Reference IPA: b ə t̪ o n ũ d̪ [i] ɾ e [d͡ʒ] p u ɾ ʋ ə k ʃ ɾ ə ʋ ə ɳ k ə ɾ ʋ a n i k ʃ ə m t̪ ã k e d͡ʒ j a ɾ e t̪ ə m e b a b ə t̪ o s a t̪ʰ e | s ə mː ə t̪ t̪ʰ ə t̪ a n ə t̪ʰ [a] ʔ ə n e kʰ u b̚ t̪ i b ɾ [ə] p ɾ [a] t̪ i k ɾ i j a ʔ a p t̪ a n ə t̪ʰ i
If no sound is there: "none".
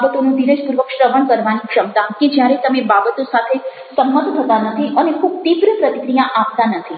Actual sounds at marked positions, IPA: i, d͡ʒ, i, ə, ə

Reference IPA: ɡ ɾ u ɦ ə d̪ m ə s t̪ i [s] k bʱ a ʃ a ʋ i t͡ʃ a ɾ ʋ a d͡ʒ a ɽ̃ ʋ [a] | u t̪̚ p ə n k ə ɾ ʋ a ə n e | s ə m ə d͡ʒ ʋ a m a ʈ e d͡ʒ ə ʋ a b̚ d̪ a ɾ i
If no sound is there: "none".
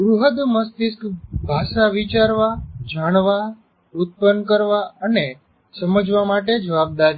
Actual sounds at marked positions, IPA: s, a

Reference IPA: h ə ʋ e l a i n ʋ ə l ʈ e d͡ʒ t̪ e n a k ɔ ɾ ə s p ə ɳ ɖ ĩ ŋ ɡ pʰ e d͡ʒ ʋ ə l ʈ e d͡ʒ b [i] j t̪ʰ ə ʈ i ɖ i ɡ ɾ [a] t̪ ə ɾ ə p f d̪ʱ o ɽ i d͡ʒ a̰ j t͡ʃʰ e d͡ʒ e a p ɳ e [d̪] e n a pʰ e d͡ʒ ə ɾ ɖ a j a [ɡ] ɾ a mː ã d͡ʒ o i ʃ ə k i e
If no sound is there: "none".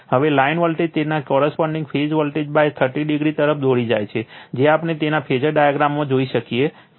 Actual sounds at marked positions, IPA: a, i, t̪, ɡ

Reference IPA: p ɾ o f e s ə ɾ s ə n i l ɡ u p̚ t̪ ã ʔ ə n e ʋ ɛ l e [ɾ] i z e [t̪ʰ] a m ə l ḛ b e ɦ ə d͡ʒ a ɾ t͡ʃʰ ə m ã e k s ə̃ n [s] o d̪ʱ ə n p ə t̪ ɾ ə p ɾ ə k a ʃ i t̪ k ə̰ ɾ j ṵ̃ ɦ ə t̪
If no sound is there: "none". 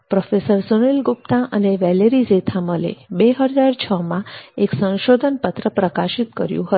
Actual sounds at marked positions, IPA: ɾ, t̪ʰ, ʃ

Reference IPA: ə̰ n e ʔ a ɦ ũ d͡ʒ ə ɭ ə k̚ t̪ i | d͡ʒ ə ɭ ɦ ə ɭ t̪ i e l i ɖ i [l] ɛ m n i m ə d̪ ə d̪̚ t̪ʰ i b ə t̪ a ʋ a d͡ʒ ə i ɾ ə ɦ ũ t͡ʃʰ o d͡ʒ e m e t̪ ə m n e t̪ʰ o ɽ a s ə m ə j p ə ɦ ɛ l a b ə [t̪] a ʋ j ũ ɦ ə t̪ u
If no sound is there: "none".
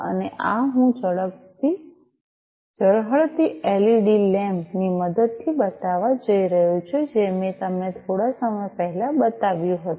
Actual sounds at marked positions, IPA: l, t̪

